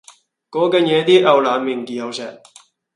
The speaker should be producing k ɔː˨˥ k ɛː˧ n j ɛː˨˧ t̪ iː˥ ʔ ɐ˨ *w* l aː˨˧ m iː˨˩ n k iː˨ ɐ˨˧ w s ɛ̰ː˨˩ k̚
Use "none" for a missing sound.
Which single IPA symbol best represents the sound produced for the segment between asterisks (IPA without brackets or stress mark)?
w